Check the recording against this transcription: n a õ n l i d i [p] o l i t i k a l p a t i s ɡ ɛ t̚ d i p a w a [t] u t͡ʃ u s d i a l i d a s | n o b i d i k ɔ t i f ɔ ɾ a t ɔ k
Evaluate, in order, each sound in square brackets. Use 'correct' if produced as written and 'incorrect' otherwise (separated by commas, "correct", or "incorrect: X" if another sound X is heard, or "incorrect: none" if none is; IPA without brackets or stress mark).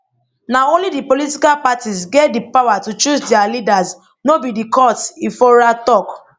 correct, correct